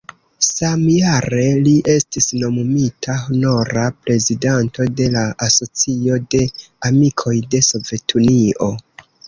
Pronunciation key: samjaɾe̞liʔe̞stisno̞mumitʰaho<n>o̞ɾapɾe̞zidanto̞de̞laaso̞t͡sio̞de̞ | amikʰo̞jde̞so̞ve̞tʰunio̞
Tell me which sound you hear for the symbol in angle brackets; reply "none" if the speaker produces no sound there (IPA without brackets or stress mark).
n